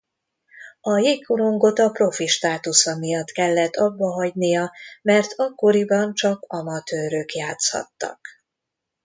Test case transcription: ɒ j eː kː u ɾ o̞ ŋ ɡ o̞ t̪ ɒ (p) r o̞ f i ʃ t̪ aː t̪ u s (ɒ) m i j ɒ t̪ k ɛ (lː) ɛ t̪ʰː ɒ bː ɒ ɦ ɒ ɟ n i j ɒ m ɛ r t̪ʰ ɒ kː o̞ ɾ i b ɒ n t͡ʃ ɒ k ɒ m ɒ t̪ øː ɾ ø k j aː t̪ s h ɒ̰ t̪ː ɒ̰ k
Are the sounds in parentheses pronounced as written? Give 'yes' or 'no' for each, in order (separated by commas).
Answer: yes, yes, yes